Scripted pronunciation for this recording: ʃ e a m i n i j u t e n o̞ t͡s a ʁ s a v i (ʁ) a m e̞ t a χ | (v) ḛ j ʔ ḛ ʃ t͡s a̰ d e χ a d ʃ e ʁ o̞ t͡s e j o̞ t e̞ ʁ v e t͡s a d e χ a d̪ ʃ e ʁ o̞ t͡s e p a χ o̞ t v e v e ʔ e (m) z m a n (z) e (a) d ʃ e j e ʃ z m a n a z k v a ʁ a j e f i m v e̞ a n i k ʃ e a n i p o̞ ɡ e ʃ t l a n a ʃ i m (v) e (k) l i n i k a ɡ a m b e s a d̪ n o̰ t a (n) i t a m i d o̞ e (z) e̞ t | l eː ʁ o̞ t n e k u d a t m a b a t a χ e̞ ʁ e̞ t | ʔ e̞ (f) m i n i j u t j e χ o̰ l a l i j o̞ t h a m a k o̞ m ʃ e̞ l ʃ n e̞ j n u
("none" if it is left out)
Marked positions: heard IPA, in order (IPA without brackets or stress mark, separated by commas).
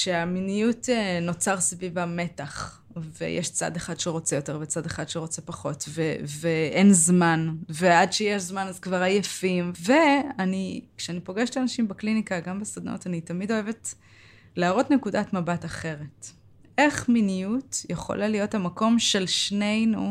v, v, n, v, a, b, k, n, v, χ